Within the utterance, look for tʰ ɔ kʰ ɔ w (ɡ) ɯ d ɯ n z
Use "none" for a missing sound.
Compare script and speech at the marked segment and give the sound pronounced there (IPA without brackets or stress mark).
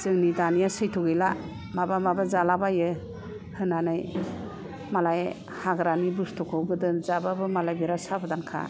ɡ